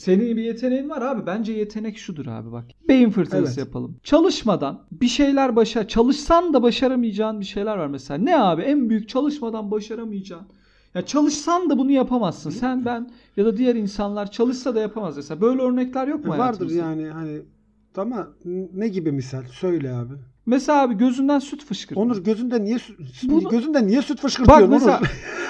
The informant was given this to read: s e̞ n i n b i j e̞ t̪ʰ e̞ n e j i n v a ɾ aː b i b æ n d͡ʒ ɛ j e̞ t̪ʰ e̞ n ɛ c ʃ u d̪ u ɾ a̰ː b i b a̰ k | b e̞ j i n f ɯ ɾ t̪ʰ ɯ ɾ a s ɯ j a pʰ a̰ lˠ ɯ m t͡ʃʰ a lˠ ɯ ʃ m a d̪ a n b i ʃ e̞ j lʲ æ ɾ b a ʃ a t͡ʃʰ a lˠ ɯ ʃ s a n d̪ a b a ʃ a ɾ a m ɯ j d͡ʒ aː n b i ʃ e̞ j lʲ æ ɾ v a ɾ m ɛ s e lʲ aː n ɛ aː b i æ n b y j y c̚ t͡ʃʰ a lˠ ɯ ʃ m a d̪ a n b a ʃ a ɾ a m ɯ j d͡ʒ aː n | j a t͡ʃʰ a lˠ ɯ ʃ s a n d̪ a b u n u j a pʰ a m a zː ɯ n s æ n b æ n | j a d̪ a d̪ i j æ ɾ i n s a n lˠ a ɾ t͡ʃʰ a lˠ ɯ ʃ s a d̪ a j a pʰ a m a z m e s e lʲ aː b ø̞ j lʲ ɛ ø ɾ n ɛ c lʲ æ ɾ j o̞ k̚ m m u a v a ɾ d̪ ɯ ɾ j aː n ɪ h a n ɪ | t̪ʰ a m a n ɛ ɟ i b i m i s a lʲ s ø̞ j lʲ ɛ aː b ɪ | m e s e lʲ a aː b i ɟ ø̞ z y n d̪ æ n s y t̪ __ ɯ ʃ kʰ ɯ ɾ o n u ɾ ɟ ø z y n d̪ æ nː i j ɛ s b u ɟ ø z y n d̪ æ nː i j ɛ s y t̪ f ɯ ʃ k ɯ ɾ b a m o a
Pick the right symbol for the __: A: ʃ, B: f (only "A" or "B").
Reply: B